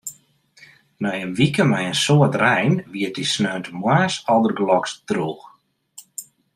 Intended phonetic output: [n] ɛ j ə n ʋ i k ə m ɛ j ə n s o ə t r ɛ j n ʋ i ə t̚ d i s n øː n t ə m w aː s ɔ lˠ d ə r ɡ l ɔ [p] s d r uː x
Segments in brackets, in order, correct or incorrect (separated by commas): correct, incorrect